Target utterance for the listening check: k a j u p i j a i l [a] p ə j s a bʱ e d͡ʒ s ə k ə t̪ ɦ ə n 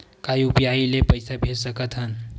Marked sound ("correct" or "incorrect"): incorrect